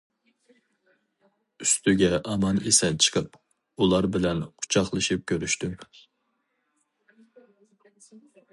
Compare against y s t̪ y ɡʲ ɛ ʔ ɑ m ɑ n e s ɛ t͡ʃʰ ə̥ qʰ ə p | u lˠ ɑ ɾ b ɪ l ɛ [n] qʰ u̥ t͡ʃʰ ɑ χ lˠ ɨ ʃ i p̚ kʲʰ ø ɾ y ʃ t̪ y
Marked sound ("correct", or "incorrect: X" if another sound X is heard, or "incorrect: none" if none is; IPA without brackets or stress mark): correct